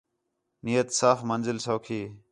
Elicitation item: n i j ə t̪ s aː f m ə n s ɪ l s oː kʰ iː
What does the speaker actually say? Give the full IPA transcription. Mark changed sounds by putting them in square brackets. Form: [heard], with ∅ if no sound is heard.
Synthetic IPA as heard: n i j ə t̪ s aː f m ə n [z] ɪ l s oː kʰ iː